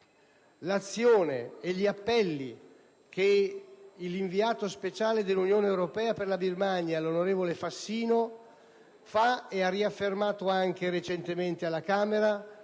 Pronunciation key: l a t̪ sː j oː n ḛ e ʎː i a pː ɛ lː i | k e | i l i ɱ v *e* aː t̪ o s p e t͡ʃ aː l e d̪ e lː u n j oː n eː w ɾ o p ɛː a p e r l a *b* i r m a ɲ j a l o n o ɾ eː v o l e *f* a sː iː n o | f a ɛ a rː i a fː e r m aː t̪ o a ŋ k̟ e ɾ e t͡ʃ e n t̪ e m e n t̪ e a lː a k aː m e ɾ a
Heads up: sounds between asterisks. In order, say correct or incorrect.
incorrect, correct, correct

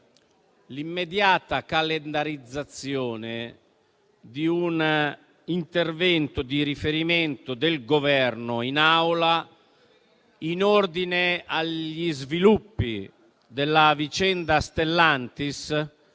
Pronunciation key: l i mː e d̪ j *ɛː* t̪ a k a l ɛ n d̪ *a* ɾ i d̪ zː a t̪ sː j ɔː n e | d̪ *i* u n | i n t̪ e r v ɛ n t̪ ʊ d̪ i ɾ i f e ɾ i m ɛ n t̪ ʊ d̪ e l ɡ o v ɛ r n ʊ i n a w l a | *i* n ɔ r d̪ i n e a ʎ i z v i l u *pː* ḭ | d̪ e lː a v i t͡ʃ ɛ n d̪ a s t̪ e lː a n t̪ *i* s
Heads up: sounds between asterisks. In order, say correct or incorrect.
incorrect, correct, correct, correct, correct, correct

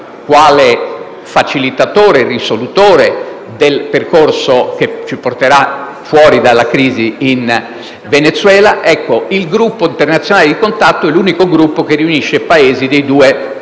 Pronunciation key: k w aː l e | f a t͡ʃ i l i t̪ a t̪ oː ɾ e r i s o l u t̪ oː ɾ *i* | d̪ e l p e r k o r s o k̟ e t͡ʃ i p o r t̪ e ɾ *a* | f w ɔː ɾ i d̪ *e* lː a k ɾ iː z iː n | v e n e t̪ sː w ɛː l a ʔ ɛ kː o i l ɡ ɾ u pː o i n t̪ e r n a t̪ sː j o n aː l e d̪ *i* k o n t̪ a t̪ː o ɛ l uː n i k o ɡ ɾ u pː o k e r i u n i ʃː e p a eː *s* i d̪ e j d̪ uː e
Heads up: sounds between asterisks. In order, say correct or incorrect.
incorrect, correct, incorrect, correct, incorrect

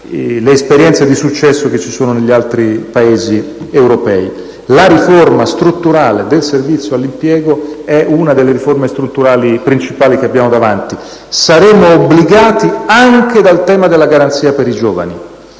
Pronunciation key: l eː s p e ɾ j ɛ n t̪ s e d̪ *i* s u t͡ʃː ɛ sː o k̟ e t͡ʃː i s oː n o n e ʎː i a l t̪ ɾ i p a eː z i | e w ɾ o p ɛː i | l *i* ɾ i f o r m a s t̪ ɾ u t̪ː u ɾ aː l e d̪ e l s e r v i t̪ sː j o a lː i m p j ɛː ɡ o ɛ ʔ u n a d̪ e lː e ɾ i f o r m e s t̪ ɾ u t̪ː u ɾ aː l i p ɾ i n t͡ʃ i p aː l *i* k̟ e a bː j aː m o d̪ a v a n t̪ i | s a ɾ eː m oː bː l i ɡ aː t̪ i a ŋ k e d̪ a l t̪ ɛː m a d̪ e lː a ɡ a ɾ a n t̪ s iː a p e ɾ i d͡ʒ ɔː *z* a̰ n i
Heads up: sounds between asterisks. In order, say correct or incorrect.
correct, incorrect, correct, incorrect

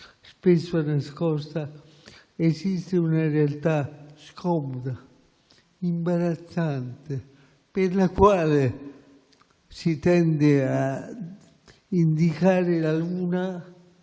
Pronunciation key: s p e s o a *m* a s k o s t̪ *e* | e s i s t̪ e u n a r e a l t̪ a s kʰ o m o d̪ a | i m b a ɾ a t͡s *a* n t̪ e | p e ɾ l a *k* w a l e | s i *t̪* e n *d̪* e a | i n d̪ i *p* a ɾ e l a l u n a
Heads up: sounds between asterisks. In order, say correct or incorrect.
incorrect, incorrect, correct, correct, correct, correct, incorrect

